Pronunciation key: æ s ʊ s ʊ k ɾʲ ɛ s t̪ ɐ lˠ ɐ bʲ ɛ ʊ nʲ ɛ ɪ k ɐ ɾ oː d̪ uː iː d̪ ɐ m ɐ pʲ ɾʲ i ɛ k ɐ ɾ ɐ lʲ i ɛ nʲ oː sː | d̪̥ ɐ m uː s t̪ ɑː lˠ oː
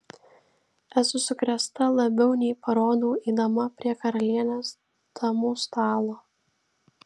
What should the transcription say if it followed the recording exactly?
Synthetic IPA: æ s ʊ s ʊ k ɾʲ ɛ s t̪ ɐ lˠ ɐ bʲ ɛ ʊ nʲ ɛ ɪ p ɐ ɾ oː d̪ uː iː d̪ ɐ m ɐ pʲ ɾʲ i ɛ k ɐ ɾ ɐ lʲ i ɛ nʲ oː s | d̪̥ ɐ m uː s t̪ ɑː lˠ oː